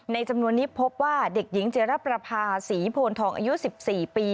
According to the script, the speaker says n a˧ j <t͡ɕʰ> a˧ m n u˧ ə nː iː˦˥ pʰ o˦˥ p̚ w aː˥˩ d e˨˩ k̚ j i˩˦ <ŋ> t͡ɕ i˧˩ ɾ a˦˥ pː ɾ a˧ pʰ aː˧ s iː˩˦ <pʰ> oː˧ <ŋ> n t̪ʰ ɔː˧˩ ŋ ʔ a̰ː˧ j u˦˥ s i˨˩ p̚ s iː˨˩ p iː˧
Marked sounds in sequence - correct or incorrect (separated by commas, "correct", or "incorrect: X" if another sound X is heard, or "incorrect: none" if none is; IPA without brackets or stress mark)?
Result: incorrect: t͡ɕ, correct, correct, incorrect: none